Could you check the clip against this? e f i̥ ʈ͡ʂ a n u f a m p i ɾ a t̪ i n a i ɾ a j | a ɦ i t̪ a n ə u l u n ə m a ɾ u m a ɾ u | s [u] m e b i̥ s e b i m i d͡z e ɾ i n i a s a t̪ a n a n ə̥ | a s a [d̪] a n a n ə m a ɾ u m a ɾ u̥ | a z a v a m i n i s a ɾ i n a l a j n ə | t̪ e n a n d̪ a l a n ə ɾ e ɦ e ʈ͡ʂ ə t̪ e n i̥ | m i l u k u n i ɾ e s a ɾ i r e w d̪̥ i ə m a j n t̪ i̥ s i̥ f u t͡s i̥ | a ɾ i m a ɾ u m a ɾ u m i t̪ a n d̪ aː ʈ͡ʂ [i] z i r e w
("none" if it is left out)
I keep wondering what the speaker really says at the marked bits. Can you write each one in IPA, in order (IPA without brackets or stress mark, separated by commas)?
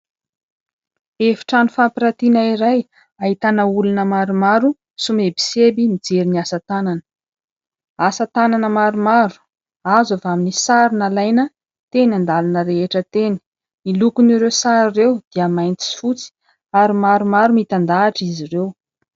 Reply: u, t̪, i